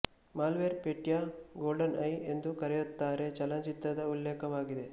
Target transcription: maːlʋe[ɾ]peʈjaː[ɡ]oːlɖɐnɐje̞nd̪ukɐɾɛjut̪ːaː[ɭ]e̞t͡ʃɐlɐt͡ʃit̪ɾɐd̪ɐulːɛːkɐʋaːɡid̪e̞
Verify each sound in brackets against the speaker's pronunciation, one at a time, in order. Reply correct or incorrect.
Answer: correct, correct, incorrect

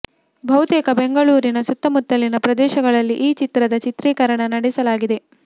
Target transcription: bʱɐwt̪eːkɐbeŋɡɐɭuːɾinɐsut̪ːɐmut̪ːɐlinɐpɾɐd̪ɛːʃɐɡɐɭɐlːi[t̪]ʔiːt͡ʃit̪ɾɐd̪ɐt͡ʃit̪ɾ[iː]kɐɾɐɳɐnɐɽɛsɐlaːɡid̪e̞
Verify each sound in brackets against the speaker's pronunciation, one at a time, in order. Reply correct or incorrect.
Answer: incorrect, correct

